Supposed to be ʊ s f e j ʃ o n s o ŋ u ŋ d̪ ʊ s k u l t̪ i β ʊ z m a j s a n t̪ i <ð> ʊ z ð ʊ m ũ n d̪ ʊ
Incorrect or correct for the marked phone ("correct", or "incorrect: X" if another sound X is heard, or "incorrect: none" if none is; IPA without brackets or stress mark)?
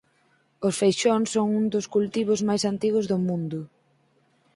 incorrect: ɣ